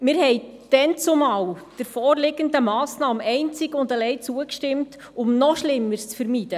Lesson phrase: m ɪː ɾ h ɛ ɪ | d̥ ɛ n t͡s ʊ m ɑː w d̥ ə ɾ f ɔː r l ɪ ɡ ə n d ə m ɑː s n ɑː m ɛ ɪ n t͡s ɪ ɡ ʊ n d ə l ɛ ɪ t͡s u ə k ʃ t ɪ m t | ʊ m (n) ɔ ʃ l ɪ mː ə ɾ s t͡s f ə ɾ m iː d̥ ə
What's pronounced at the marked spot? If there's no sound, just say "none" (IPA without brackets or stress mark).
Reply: n